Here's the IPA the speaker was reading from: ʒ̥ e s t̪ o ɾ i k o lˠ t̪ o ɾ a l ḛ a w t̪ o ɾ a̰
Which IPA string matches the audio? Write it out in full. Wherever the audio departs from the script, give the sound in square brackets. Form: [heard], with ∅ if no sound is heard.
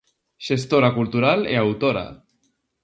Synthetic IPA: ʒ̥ e s t̪ o ɾ [a] k [u] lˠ t̪ [u] ɾ a l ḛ a w t̪ o ɾ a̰